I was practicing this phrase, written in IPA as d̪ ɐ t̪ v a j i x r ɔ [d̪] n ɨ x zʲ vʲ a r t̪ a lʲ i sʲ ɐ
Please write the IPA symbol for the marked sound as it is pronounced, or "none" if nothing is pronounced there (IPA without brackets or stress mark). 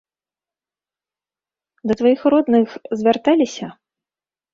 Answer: d̪